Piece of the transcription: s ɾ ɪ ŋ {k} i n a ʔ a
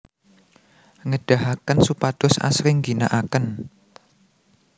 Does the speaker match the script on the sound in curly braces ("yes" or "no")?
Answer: no